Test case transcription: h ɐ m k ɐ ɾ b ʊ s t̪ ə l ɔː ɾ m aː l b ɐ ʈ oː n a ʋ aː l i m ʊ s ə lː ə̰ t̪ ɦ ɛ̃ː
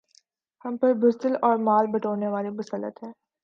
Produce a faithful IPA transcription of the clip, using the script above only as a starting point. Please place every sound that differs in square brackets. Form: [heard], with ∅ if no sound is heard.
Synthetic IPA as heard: h ɐ m [p] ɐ ɾ b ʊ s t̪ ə l ɔː ɾ m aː l b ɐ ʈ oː n [e] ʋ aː l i m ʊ s ə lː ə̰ t̪ ɦ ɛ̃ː